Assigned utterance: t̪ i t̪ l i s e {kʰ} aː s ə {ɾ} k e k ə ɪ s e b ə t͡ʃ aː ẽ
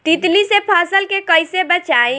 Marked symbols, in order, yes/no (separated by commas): no, no